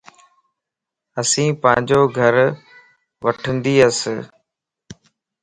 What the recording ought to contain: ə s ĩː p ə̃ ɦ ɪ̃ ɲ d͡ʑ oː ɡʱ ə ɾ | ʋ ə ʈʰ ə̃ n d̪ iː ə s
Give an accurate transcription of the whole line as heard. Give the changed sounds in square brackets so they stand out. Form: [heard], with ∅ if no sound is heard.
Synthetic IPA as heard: ə s ĩː p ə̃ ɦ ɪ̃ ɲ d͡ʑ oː ɡʱ ə ɾ | ʋ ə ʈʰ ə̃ n d̪ iː ə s